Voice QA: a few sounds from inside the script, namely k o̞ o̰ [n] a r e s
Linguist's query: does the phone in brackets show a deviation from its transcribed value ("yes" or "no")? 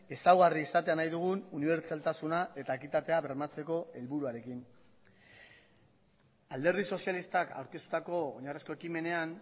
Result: yes